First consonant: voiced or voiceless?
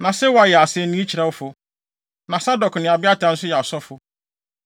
voiced